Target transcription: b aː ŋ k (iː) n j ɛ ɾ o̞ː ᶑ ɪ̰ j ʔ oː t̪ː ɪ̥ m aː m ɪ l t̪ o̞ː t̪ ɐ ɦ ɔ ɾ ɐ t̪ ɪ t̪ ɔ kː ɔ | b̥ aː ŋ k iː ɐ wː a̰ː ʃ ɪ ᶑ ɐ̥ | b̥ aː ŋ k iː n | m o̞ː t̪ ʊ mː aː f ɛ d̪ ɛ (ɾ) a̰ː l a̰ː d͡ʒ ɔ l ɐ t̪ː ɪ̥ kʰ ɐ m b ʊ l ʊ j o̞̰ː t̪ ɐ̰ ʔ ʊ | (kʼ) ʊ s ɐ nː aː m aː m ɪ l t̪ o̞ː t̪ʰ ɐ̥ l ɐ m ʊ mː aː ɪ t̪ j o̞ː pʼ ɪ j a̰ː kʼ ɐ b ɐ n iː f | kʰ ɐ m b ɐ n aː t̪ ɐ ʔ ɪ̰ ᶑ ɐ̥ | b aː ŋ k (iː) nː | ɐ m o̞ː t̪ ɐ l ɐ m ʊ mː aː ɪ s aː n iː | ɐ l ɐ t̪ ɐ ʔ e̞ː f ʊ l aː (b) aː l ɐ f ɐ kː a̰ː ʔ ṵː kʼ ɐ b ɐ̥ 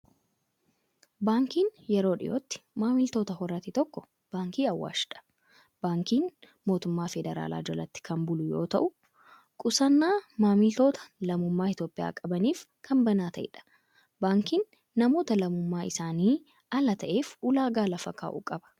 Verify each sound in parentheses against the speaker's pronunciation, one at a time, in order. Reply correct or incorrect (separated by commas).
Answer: correct, correct, correct, correct, incorrect